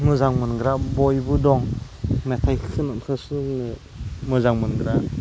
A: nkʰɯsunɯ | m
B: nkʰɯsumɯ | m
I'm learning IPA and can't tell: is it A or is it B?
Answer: A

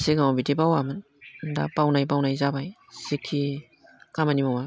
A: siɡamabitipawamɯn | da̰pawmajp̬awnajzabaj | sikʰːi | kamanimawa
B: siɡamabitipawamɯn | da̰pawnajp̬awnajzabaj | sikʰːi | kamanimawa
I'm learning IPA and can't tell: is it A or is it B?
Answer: B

